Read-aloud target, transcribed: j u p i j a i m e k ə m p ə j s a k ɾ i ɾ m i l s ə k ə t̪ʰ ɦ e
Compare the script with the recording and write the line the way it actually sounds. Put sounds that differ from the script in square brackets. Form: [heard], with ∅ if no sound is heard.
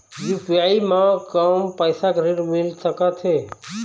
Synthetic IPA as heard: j u p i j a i m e k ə m p ə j s a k ɾ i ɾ m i l s ə k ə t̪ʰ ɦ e

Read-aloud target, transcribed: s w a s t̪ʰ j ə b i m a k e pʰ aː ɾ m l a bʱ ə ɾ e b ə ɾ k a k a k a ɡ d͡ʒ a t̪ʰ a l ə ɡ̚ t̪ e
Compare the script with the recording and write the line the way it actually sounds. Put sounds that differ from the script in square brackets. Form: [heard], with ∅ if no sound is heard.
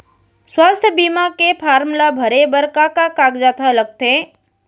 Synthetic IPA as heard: s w a s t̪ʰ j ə b i m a k e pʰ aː ɾ m l a bʱ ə ɾ e b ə ɾ k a k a k a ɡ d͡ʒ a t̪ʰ a l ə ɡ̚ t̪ e

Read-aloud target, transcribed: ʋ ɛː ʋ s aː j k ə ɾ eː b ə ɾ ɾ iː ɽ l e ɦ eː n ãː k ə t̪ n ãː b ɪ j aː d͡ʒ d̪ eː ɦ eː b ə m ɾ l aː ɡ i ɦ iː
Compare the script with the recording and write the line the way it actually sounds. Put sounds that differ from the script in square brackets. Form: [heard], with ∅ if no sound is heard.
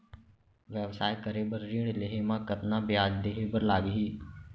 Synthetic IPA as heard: ʋ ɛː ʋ s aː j k ə ɾ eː b ə ɾ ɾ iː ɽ l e ɦ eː [m] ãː k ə t̪ n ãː b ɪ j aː d͡ʒ d̪ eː ɦ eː b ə [∅] ɾ l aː ɡ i ɦ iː

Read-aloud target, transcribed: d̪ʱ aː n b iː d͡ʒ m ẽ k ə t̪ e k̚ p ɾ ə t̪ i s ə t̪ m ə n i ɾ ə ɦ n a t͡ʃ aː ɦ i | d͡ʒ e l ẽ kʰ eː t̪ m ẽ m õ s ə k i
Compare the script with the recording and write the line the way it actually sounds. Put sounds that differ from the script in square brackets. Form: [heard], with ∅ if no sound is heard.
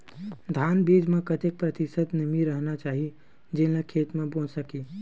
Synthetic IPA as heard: d̪ʱ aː n b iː d͡ʒ m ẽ k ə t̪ e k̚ p ɾ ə t̪ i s ə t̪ [n] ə [m] i ɾ ə ɦ n a t͡ʃ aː ɦ i | d͡ʒ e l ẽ kʰ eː t̪ m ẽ [b] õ s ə k i

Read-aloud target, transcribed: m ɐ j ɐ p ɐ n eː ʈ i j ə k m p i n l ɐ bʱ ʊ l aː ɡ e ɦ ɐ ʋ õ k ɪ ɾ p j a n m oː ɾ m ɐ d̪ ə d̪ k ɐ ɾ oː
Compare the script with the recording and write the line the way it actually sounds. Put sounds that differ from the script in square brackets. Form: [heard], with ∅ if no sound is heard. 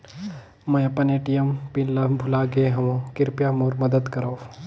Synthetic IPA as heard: m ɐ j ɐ p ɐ n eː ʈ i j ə [∅] m p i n l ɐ bʱ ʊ l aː ɡ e ɦ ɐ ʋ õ k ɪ ɾ p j a [∅] m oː ɾ m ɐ d̪ ə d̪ k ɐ ɾ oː

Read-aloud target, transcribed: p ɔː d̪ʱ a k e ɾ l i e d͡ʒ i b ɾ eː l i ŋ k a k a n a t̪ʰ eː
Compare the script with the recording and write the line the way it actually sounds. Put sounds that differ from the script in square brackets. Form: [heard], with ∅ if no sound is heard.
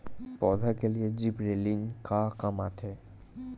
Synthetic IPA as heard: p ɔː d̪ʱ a k e [∅] l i e d͡ʒ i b ɾ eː l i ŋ k a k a [m] a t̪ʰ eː

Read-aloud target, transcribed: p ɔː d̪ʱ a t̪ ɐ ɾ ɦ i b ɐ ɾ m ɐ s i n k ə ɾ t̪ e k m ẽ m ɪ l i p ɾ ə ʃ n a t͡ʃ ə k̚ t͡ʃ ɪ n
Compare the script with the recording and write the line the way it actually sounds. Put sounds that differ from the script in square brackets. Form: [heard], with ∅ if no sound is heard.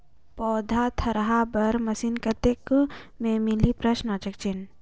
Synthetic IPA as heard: p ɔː d̪ʱ a [t̪ʰ] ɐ ɾ ɦ [a] b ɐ ɾ m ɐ s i n k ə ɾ t̪ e k m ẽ m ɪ l i p ɾ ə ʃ n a t͡ʃ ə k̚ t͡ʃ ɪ n

